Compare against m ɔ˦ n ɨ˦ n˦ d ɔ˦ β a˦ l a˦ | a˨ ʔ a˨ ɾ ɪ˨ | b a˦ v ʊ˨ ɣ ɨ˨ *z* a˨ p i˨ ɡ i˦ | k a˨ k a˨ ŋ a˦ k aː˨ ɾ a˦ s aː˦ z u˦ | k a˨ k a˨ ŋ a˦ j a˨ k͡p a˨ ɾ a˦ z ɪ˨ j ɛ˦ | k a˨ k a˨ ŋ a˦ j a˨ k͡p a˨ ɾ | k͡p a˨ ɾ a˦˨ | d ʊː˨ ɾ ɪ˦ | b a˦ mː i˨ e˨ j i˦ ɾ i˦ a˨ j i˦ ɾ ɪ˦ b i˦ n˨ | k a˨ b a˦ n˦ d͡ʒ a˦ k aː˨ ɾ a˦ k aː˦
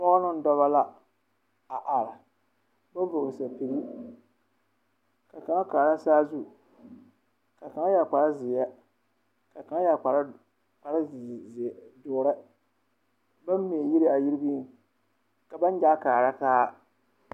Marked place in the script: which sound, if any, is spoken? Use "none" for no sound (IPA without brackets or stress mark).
s